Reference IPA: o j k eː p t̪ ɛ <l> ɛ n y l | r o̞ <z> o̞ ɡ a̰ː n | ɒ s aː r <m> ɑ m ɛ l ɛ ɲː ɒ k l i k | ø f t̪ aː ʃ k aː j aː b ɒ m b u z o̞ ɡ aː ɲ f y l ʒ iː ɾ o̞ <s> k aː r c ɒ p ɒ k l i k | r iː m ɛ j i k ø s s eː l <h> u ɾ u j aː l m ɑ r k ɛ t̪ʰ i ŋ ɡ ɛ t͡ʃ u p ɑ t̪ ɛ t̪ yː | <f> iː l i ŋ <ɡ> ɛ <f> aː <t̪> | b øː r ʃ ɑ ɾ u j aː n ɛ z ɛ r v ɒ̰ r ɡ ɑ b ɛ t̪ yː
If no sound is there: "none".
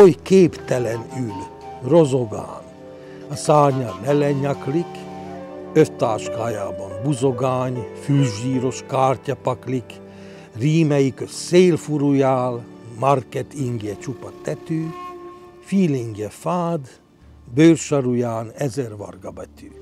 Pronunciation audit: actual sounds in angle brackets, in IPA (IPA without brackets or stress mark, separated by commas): l, z, ɲ, ʃ, f, f, ɡ, f, d̪